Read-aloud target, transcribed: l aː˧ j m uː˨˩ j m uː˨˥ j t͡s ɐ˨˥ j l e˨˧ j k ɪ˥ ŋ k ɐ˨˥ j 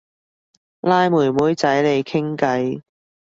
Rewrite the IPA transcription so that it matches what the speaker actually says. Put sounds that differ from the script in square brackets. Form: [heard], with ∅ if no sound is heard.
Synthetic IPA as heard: l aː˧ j m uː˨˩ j m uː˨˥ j t͡s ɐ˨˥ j l e˨˧ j [kʰ] ɪ˥ ŋ k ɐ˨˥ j